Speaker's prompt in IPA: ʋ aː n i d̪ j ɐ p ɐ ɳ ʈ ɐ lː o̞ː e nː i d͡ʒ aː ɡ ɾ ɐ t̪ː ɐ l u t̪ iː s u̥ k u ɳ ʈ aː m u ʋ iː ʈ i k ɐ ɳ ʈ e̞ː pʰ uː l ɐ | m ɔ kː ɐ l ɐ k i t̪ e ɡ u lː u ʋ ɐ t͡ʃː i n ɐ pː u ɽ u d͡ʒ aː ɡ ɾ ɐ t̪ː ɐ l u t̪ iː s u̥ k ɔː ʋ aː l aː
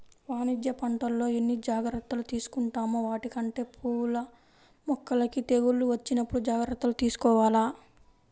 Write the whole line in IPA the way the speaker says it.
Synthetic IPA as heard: ʋ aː n i d̪ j ɐ p ɐ ɳ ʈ ɐ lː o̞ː e nː i d͡ʒ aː ɡ ɾ ɐ t̪ː ɐ l u t̪ iː s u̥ k u ɳ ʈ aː m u ʋ aː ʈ i k ɐ ɳ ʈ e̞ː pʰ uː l ɐ | m ɔ kː ɐ l ɐ k i t̪ e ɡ u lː u ʋ ɐ t͡ʃː i n ɐ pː u ɽ u d͡ʒ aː ɡ ɾ ɐ t̪ː ɐ l u t̪ iː s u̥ k ɔː ʋ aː l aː